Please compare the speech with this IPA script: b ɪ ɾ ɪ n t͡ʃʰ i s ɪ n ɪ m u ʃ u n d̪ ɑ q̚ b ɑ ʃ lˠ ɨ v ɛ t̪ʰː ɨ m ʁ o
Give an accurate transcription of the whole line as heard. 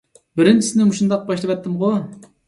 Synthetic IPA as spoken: b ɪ ɾ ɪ n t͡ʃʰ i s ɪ n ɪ m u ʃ u n d̪ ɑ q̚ b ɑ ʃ lˠ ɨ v ɛ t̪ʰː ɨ m ʁ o